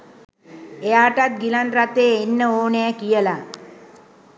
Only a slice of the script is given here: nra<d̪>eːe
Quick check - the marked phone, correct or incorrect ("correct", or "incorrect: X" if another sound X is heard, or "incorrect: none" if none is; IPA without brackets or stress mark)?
incorrect: t̪